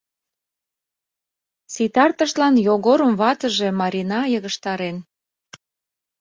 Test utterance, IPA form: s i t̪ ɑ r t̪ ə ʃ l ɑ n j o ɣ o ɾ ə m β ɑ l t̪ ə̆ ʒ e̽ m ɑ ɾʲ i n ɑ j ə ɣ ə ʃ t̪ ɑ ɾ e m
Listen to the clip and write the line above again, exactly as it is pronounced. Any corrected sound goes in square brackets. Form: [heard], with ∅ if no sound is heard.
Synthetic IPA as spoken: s i t̪ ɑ r t̪ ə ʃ l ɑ n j o ɣ o ɾ ə m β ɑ [∅] t̪ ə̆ ʒ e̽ m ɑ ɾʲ i n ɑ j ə ɣ ə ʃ t̪ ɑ ɾ e [n]